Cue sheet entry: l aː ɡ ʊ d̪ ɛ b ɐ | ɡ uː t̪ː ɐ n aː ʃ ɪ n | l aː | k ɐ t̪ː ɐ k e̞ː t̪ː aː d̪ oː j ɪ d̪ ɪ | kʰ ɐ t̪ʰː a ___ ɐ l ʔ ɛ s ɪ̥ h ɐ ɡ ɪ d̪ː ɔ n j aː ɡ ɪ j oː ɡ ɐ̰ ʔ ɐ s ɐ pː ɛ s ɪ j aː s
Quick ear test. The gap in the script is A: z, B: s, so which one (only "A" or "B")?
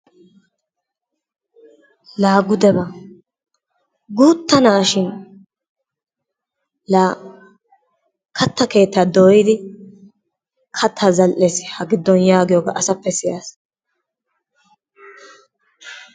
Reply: A